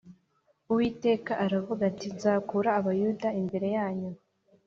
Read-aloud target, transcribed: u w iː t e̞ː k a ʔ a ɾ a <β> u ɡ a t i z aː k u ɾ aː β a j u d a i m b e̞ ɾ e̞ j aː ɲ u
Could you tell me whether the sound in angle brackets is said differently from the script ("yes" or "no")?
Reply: yes